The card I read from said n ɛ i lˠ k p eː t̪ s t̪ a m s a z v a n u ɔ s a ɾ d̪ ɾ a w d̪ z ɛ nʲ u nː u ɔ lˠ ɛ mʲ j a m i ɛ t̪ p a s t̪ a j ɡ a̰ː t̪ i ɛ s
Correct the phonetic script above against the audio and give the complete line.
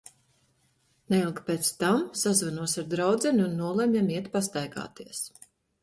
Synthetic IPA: n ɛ i lˠ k p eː t̪ s t̪ a m s a z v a n u ɔ s a ɾ d̪ ɾ a w d̪ z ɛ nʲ u nː u ɔ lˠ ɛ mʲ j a m i ɛ t̪ p a s t̪ a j ɡ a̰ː t̪ i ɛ s